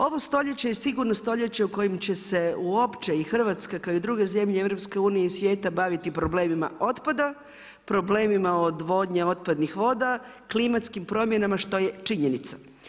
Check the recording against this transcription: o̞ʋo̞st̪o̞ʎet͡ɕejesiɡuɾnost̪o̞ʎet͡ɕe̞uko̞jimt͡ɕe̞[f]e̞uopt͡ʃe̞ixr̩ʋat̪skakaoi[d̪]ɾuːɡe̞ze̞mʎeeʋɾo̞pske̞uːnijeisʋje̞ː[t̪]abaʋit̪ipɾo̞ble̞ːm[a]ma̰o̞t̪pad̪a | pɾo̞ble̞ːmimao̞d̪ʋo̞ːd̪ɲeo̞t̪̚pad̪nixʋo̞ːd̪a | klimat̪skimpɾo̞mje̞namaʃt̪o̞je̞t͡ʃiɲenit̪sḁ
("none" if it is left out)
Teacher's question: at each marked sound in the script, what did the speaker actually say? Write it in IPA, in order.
s, d̪, t̪, i

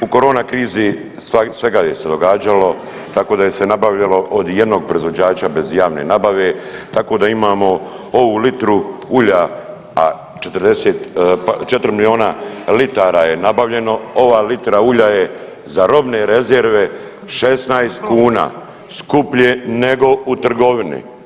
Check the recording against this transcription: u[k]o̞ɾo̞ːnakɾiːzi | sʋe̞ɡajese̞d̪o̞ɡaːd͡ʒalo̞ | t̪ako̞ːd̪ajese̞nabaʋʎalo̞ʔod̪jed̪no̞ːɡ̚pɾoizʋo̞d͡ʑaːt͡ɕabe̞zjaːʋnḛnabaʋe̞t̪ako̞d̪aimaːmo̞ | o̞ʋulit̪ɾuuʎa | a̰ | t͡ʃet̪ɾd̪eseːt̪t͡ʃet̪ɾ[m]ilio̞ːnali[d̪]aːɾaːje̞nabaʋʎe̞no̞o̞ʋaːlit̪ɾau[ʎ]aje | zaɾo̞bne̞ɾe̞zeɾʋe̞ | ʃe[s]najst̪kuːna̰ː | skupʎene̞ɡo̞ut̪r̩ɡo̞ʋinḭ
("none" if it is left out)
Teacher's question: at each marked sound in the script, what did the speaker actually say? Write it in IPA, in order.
k, m, t̪, ʎ, s

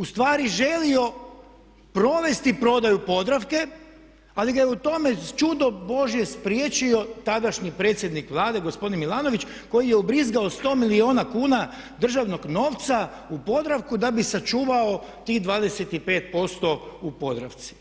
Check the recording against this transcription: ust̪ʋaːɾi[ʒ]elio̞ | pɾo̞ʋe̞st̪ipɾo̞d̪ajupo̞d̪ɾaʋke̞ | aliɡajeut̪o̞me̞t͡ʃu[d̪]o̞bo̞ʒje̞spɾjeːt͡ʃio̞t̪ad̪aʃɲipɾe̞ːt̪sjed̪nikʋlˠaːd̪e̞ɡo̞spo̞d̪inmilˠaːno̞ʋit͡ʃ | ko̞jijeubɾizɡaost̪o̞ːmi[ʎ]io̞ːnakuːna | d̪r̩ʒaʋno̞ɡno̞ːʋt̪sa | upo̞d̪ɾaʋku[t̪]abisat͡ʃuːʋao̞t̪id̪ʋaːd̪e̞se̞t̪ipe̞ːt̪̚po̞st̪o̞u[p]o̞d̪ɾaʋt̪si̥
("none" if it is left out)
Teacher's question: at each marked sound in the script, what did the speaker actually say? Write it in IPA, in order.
ʒ, d̪, l, d̪, p

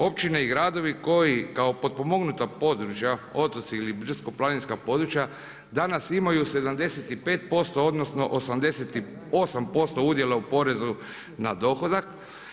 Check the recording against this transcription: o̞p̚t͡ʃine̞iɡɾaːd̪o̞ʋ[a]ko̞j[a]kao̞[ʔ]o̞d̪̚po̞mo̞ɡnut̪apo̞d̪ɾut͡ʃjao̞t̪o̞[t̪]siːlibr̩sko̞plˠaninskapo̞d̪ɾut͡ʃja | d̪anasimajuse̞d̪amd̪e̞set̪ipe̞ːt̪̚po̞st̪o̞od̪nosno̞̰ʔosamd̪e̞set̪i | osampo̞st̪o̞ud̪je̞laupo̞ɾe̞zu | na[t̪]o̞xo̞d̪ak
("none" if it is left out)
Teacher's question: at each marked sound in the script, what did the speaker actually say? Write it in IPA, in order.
i, i, p, t̪, d̪

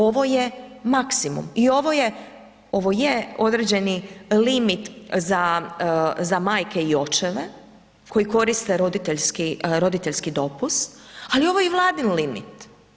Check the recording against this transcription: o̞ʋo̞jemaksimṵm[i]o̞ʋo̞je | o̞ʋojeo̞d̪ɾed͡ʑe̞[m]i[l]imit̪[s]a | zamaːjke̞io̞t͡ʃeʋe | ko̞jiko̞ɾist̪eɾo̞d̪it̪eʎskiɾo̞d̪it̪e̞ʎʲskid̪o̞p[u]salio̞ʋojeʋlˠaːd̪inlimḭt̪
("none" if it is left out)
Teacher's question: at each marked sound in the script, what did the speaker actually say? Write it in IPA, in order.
i, n, l, z, u

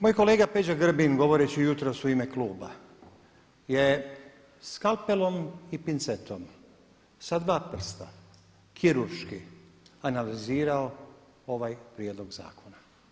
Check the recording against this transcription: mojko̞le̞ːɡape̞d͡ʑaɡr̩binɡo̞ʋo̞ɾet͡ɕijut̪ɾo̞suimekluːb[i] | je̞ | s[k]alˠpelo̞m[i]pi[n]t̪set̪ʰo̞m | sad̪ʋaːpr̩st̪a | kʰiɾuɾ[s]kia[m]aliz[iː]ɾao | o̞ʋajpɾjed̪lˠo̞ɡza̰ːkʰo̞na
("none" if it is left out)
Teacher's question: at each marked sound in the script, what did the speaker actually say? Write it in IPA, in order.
a, k, i, n, ʃ, n, iː

